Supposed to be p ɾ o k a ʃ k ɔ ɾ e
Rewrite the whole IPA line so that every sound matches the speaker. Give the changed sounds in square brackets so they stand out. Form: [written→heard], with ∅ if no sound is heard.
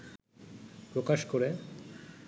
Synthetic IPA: p ɾ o k a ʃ k [ɔ→o] ɾ e